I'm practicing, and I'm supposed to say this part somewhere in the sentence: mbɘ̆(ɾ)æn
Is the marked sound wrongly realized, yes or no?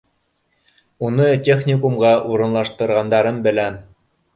yes